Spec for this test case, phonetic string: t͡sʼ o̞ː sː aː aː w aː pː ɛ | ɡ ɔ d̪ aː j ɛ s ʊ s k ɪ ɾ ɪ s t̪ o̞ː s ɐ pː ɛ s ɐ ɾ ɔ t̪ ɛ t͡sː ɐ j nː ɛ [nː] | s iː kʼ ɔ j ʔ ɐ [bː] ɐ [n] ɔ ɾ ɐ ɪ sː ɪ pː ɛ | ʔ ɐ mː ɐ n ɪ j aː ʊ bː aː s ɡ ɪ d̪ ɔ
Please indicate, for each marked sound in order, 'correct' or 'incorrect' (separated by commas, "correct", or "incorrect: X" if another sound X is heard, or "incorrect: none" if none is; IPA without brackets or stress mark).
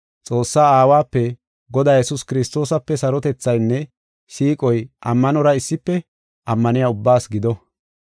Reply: incorrect: none, incorrect: mː, correct